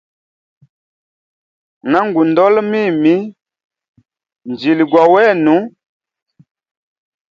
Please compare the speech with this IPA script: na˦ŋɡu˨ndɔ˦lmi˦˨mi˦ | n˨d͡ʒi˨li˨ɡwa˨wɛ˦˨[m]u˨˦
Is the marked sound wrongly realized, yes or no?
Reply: yes